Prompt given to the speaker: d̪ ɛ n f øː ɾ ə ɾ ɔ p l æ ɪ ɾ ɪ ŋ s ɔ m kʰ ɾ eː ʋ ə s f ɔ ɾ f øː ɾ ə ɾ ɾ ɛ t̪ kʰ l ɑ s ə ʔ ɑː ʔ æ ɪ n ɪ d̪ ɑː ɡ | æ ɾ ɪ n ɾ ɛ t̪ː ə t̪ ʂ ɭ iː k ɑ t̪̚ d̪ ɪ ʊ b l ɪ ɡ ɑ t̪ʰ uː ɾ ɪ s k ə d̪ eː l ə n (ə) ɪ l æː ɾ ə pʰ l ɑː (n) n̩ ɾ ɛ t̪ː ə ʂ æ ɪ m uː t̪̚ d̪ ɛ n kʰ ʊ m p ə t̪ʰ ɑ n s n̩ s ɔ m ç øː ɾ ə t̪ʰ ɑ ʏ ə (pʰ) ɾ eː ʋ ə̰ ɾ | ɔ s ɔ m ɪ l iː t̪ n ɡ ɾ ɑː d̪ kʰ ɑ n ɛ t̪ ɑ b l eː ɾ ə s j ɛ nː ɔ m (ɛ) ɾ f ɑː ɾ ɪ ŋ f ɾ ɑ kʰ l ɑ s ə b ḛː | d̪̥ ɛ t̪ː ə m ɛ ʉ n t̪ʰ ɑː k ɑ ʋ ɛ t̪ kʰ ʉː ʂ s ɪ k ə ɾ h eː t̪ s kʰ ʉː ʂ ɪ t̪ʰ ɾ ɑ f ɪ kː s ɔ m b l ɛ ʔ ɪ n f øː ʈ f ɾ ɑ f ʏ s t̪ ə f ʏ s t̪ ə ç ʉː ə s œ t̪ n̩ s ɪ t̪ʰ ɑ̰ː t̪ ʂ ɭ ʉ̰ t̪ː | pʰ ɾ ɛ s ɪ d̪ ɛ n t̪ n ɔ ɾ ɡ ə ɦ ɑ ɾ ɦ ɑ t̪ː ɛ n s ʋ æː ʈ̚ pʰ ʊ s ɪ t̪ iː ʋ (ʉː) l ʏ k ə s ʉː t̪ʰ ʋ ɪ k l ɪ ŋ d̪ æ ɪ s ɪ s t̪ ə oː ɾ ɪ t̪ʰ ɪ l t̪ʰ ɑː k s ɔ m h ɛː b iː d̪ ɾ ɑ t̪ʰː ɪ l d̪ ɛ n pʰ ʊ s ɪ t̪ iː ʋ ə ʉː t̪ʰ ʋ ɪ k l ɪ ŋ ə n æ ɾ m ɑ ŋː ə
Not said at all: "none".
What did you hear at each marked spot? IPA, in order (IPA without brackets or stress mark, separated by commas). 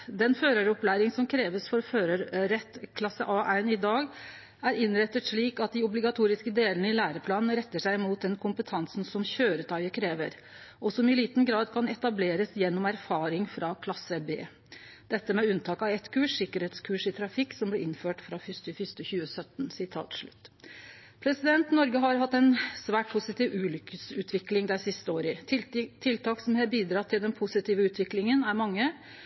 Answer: ə, n, kʰ, æ, ʉː